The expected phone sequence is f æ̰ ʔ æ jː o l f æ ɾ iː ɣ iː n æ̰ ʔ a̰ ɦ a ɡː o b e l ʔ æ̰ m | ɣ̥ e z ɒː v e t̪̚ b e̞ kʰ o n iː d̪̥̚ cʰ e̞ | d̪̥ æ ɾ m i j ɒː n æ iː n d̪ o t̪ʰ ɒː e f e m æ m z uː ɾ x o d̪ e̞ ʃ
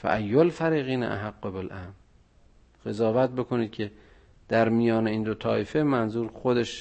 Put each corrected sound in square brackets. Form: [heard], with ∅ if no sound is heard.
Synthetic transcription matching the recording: f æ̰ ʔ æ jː o l f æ ɾ iː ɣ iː n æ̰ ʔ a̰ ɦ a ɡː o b e l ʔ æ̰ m | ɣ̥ e z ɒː v [æ] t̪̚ b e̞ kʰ o n iː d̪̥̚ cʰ e̞ | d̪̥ æ ɾ m i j ɒː n [e] iː n d̪ o t̪ʰ ɒː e f e m æ [n] z uː ɾ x o d̪ e̞ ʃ